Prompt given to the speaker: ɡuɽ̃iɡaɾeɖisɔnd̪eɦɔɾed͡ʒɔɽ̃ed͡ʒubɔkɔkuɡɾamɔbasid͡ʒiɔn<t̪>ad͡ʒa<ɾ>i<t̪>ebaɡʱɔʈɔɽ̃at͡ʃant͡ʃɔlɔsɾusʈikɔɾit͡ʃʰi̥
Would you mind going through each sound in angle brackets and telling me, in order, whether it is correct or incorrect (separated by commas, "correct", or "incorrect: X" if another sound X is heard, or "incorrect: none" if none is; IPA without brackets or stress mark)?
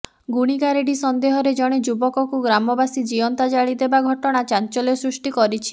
correct, incorrect: ɭ, incorrect: d̪